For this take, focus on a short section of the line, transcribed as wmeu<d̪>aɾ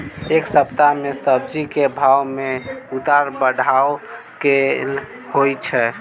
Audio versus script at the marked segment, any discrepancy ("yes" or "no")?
yes